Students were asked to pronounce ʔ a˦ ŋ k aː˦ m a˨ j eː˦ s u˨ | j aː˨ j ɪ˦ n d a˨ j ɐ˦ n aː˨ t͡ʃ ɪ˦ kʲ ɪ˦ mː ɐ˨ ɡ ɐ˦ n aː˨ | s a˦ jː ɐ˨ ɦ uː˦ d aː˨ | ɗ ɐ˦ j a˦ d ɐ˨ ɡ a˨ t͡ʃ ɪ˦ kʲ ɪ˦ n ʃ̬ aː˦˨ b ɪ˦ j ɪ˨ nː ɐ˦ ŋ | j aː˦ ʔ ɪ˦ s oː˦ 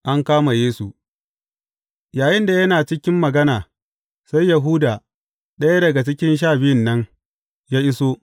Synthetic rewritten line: ʔ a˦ ŋ k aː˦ m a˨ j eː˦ s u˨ | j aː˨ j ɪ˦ n d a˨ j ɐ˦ n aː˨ t͡ʃ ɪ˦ kʲ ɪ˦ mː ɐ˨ ɡ ɐ˦ n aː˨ | s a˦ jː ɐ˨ ɦ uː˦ d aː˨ | ɗ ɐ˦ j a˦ d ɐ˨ ɡ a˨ t͡ʃ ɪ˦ kʲ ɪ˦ n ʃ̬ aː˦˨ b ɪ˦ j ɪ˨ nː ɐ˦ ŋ | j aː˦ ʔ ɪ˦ s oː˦